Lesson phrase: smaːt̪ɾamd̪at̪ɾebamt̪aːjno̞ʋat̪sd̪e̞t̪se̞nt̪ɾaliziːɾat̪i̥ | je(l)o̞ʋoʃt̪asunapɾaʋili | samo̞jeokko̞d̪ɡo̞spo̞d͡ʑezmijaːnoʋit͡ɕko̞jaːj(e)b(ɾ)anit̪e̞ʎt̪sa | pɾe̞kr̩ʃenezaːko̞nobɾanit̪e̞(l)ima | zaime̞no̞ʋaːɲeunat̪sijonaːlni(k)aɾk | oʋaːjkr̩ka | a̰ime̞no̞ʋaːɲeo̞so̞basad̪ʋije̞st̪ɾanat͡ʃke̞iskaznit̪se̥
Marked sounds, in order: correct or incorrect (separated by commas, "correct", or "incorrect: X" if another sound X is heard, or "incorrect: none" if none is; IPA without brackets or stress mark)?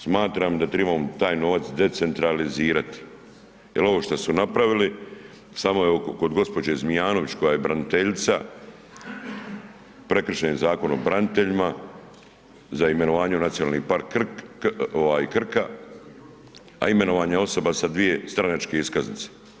correct, correct, correct, incorrect: ʎ, incorrect: p